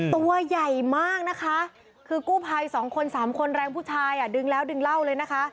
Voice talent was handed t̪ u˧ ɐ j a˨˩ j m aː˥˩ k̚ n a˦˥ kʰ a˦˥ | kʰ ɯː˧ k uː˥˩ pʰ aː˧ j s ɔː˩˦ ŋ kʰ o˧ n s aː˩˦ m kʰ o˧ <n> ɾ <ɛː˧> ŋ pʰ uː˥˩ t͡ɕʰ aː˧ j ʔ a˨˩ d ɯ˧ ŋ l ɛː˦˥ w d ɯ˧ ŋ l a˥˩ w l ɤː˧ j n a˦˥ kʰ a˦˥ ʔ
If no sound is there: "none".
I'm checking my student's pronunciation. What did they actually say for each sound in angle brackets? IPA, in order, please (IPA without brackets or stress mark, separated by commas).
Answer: n, ɛː˧